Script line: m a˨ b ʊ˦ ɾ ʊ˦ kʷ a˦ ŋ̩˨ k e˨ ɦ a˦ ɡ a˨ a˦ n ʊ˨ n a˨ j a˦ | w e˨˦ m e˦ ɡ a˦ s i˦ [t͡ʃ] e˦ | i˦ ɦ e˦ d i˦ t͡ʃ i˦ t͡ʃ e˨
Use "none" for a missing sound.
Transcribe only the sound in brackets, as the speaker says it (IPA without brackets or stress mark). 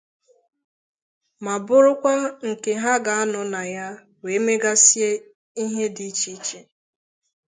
none